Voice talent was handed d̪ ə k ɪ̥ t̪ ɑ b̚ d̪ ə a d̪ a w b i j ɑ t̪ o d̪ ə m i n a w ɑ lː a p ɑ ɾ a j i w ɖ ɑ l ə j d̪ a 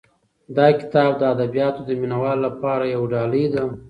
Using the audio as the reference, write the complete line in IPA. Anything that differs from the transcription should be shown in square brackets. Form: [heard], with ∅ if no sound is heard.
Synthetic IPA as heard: d̪ [ɑ] k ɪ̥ t̪ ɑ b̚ d̪ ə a d̪ a [∅] b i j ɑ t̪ o d̪ ə m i n a w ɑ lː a p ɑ ɾ a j [a] w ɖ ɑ l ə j d̪ a